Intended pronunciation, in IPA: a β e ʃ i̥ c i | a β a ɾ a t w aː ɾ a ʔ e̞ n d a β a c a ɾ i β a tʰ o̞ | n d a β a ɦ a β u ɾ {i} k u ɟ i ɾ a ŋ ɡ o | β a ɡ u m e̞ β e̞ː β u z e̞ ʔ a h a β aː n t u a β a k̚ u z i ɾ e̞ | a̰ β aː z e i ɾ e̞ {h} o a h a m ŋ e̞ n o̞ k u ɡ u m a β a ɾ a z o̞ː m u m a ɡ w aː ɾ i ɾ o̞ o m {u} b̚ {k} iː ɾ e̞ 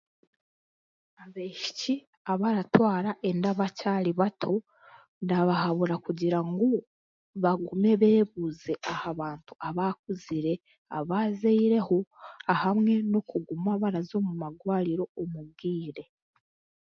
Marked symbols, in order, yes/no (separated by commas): no, yes, yes, no